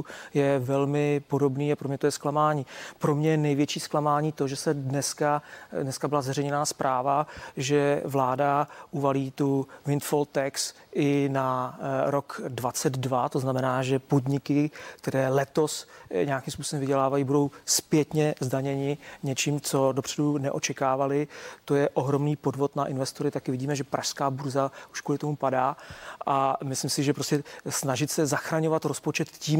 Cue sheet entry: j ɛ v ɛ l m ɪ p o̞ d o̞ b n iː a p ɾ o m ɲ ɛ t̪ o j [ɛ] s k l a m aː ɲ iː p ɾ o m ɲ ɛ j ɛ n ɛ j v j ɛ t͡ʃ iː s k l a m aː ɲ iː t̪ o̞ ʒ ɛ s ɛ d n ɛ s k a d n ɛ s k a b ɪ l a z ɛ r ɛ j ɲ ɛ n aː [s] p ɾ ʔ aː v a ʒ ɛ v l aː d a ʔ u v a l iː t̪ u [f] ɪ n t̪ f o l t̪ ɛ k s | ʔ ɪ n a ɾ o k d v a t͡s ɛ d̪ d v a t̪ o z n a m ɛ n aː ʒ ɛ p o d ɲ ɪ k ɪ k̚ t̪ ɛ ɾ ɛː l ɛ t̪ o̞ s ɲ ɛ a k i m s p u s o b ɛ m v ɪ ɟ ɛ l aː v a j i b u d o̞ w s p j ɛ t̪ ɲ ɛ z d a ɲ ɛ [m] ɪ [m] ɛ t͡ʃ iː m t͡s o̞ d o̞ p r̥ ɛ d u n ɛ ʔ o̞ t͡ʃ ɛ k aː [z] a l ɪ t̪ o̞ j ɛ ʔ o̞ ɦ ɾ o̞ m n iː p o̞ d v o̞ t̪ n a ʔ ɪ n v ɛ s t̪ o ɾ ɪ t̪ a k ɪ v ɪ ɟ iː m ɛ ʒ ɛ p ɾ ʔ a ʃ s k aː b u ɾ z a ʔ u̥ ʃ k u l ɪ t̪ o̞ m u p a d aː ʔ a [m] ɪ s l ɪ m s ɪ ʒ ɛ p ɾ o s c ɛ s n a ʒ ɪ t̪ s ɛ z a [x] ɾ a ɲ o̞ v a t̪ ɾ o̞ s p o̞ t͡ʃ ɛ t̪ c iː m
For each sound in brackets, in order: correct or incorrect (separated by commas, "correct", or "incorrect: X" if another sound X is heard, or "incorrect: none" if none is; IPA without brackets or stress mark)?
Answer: correct, correct, incorrect: v, incorrect: ɲ, incorrect: ɲ, incorrect: v, correct, correct